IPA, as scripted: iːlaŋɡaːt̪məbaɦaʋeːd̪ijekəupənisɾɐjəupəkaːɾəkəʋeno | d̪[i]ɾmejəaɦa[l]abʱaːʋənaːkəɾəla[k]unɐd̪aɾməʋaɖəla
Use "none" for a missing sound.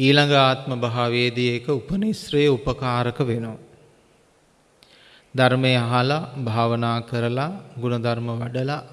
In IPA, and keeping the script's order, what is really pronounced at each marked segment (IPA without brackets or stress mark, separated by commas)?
a, l, ɡ